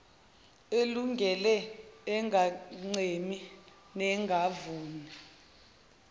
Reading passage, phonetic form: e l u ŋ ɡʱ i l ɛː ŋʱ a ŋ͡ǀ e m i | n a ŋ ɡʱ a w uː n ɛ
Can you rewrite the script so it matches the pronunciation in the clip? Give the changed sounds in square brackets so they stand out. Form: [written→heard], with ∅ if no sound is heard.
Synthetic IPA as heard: e l u ŋ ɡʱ [i→ɛ] l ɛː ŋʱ a ŋ͡ǀ e m i | n [a→ɛ] ŋ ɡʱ a [w→v] uː n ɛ